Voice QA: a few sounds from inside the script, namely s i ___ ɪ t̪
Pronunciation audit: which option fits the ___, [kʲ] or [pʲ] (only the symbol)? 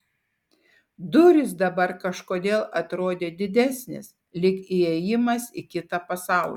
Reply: kʲ